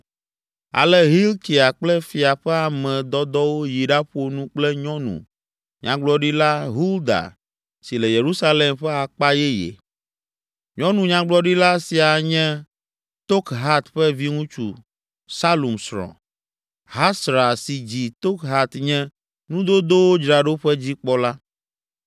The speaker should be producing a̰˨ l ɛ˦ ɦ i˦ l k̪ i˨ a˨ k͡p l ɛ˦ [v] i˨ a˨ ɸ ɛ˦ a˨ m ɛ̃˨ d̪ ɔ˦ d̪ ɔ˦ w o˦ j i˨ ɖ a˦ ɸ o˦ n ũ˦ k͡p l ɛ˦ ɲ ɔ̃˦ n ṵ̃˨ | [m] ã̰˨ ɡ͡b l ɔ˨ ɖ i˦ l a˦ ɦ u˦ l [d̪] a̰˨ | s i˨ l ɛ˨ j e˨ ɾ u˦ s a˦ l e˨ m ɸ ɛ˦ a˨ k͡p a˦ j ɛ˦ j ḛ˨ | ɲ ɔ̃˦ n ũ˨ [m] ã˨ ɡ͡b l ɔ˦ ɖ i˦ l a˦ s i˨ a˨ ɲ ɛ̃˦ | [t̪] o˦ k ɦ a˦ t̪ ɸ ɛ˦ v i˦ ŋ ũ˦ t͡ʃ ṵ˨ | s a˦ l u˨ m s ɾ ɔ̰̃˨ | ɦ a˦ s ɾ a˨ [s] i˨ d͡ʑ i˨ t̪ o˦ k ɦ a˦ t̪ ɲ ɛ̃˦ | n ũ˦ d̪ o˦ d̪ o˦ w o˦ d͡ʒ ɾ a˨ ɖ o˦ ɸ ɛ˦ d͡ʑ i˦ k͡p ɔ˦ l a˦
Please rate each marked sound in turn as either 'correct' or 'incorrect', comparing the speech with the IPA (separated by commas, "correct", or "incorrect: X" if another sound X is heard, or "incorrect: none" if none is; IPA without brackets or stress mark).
incorrect: f, incorrect: ɲ, correct, incorrect: ɲ, correct, correct